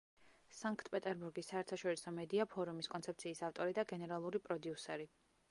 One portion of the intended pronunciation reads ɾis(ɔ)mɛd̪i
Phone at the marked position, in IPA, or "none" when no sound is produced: ɔ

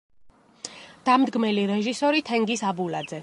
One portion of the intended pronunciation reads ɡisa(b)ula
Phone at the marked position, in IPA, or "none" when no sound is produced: b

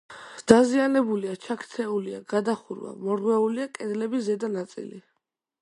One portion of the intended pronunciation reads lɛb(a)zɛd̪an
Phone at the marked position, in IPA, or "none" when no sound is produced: i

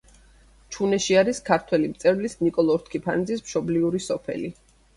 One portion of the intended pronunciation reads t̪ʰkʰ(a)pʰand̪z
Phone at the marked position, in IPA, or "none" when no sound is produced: i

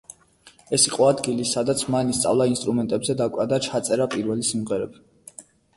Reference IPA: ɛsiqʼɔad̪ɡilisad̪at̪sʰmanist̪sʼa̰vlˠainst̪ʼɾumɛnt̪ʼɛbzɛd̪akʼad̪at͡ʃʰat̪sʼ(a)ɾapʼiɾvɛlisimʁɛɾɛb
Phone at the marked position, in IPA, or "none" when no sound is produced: ɛ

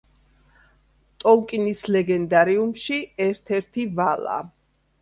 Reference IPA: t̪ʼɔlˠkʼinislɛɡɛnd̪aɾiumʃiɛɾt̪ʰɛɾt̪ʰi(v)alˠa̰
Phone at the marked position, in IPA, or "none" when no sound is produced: v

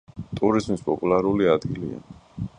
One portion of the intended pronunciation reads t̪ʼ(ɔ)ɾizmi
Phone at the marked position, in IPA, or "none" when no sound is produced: u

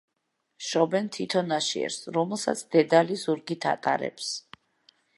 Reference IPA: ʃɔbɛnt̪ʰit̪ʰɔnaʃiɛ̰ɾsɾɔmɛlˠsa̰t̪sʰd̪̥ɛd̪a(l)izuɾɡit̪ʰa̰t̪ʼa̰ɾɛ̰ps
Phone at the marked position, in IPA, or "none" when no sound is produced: l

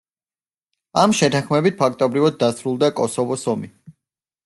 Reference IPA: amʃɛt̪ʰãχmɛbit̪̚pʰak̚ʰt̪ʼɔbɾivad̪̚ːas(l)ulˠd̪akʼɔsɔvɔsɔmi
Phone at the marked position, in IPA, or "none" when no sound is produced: ɾ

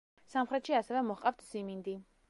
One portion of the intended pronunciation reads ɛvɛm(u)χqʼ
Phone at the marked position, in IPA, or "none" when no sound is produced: ɔ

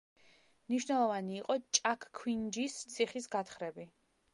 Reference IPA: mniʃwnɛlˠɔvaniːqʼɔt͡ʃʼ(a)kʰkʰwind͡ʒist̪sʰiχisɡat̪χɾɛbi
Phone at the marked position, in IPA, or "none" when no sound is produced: a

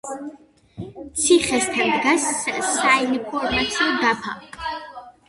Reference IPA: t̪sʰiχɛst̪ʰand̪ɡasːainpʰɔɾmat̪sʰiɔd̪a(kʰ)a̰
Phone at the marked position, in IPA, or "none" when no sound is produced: pʰ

